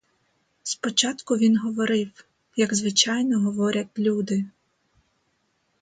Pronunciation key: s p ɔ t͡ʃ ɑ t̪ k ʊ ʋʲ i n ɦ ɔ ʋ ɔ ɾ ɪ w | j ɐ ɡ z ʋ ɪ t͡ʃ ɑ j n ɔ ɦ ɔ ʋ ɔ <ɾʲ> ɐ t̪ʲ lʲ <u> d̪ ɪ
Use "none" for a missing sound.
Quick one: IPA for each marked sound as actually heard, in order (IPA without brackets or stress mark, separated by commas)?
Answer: ɾʲ, u